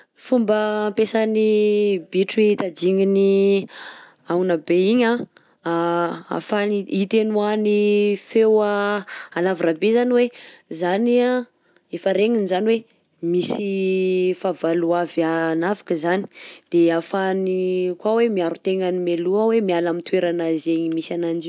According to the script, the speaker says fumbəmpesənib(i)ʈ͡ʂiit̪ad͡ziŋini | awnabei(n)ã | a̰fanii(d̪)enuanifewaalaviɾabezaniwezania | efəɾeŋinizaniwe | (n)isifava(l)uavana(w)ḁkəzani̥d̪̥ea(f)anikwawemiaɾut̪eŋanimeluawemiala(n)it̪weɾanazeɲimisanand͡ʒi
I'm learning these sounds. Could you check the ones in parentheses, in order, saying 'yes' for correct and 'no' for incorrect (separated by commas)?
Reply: yes, no, no, no, yes, no, yes, no